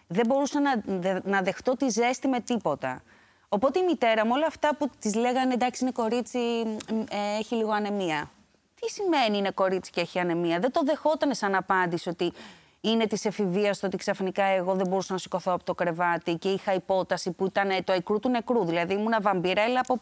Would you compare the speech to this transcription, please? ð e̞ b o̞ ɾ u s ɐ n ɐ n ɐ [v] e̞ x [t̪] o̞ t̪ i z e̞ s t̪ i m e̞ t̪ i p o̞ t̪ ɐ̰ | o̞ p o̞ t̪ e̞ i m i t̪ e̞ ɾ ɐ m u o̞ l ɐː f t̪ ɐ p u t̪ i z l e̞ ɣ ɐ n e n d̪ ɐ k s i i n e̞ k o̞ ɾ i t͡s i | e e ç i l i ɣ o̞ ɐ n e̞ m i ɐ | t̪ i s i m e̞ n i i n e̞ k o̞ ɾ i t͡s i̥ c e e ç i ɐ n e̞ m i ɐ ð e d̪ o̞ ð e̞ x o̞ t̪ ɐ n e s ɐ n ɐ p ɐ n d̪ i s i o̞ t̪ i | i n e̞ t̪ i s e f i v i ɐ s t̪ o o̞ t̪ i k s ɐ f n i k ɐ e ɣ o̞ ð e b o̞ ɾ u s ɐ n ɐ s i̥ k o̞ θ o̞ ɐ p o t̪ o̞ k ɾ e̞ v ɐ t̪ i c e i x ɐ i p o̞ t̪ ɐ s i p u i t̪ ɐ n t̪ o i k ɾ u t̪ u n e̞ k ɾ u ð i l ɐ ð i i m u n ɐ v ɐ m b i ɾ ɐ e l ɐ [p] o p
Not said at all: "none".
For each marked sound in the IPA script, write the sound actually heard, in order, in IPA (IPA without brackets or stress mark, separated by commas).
ð, t̪, p